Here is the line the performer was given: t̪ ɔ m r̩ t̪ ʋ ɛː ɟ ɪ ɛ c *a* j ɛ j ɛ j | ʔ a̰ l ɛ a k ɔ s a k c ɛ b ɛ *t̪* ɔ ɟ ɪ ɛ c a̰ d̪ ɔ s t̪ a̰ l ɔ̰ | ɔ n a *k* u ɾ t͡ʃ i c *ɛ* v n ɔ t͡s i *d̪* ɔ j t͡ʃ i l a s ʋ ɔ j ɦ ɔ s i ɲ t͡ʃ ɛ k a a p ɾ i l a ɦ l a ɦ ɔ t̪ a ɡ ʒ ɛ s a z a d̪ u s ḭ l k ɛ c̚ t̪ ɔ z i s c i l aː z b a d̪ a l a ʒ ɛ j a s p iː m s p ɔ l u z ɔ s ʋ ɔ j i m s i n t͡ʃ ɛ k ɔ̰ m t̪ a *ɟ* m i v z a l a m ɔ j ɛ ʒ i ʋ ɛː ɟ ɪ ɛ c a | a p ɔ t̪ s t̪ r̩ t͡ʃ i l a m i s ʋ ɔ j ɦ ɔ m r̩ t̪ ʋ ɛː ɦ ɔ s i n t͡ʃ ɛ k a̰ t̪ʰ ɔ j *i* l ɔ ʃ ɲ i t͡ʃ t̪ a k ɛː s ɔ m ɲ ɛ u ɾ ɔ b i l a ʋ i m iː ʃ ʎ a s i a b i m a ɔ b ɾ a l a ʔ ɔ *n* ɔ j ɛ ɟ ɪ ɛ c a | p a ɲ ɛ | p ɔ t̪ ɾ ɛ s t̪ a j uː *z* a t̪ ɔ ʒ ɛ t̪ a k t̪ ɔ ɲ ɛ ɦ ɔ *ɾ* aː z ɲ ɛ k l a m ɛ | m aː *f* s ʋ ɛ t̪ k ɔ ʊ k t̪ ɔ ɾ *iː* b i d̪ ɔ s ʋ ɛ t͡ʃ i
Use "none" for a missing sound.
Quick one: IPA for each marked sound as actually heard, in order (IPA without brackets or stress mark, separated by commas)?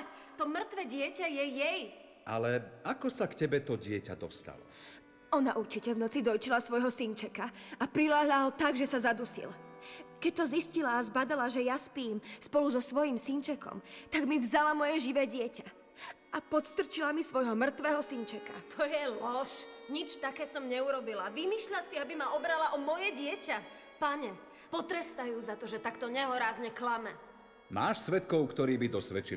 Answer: a, t̪, ʔ, ɛ, d̪, ɡ, ɛ, m, z, ɾ, ʃ, iː